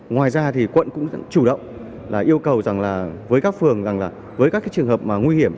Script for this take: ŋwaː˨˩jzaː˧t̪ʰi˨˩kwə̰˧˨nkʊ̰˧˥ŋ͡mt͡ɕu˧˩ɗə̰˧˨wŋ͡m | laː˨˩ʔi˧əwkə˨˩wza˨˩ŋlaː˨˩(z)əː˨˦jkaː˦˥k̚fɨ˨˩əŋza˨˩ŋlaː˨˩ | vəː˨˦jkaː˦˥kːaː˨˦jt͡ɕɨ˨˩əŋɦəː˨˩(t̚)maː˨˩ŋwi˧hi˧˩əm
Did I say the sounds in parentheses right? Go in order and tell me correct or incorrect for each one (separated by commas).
incorrect, incorrect